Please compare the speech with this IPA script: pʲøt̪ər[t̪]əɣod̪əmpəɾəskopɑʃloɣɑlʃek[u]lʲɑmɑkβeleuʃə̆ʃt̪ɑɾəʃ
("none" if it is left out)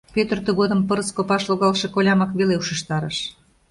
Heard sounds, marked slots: t̪, o

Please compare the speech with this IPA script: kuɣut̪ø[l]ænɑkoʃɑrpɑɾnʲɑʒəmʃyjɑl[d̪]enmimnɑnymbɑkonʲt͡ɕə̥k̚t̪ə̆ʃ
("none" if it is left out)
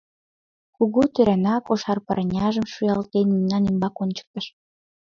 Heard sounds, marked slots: ɾ, t̪

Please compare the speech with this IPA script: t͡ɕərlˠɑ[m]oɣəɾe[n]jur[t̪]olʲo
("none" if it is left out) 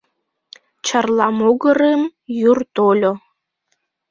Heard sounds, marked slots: m, m, t̪

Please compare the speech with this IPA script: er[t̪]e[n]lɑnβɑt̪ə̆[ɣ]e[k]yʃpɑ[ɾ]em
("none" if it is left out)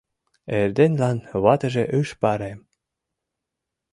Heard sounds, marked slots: d̪, n, ʒ, ʔ, ɾ

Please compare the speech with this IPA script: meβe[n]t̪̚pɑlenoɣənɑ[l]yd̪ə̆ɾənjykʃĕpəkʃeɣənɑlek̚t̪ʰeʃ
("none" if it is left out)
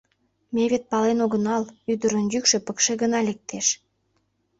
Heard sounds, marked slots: none, l

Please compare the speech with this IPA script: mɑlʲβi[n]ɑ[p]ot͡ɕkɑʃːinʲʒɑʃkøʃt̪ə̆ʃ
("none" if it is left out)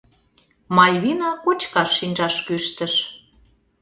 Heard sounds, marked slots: n, k

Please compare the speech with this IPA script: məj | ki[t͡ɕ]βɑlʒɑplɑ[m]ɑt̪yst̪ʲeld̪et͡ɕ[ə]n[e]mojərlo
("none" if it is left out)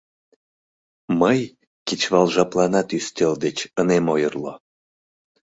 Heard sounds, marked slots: t͡ɕ, n, ə, e

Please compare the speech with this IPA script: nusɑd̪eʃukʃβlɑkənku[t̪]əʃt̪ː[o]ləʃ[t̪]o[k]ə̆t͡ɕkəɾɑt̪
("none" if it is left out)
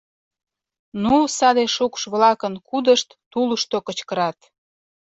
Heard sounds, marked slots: d̪, u, t̪, k

